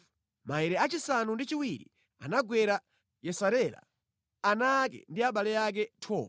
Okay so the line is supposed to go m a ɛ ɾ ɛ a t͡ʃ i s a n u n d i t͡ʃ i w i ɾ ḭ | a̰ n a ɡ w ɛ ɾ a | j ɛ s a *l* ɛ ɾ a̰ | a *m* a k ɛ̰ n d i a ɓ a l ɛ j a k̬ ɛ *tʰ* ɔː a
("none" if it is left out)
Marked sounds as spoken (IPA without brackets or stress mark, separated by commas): ɾ, n, tʰ